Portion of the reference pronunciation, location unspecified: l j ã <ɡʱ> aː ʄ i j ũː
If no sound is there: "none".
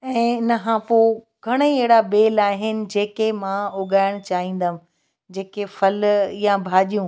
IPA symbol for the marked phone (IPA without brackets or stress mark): bʱ